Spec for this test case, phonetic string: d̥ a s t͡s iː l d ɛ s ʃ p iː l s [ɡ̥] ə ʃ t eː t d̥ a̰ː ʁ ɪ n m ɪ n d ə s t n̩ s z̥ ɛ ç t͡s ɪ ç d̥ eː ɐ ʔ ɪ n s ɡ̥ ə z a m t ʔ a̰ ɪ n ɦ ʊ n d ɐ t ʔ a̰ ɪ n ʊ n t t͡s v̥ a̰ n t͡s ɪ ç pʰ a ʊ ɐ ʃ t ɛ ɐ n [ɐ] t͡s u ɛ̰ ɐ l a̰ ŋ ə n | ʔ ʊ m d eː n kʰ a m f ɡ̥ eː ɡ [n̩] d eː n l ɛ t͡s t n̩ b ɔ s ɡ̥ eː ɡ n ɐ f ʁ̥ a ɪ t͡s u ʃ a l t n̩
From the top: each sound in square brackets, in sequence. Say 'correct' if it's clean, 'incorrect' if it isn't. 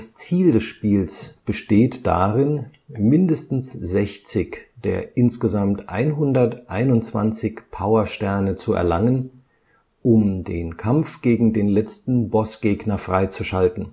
incorrect: b̥, incorrect: ə, incorrect: ŋ̩

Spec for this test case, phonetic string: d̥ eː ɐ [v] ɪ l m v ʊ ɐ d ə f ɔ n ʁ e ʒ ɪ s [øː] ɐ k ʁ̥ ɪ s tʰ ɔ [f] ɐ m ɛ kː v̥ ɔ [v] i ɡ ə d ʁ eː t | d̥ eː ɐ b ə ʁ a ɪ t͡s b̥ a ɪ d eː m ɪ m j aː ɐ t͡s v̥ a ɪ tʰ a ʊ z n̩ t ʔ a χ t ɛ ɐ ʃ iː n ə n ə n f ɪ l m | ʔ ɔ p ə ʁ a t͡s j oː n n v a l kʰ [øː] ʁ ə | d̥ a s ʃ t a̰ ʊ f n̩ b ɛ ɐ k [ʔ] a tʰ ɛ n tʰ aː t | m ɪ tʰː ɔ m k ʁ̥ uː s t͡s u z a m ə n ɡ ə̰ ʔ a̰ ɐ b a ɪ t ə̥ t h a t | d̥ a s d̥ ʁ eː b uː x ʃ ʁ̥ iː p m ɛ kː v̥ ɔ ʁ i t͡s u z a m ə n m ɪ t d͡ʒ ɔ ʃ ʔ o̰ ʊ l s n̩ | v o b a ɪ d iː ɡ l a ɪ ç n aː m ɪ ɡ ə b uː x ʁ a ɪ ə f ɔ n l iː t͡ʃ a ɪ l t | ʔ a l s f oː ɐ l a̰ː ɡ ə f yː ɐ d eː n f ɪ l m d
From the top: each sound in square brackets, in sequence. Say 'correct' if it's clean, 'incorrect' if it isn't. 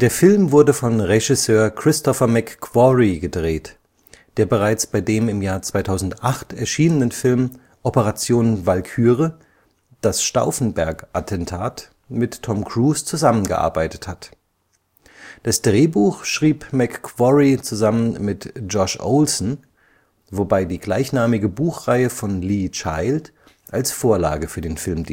incorrect: f, correct, correct, incorrect: ʁ, incorrect: yː, correct

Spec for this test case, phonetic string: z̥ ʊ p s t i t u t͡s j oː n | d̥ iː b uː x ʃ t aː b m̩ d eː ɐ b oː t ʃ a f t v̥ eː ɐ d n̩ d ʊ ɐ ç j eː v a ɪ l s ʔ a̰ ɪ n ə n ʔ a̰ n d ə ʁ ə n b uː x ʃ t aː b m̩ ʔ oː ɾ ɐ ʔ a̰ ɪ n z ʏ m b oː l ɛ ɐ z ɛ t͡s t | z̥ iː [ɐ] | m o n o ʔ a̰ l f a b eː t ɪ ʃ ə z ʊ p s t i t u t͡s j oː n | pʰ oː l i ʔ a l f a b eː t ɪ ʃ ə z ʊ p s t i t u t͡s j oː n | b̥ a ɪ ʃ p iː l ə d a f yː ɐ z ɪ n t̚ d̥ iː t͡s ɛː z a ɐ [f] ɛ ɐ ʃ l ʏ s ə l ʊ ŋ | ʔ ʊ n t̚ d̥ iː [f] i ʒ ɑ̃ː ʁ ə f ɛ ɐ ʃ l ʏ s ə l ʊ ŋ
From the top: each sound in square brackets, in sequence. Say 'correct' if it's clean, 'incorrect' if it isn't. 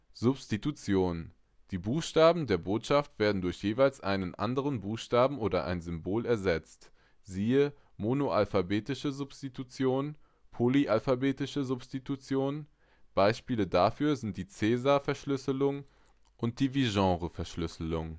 incorrect: ə, correct, incorrect: v

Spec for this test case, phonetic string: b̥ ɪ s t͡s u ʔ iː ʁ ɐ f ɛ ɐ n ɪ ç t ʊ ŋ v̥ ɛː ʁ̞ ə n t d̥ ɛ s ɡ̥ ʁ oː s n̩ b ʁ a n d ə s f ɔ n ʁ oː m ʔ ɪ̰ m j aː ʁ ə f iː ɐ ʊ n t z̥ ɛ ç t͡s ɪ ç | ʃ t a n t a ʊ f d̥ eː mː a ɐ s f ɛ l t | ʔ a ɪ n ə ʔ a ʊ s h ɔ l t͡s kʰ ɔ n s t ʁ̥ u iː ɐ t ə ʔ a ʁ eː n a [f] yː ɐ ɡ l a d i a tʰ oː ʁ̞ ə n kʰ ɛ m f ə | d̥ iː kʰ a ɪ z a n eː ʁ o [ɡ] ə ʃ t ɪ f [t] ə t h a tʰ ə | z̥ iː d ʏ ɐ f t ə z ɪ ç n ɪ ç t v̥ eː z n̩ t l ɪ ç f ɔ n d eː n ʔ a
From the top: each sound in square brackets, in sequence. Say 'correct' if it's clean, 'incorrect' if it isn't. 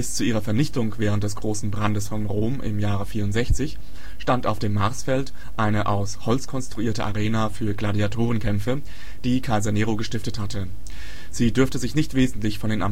correct, correct, correct

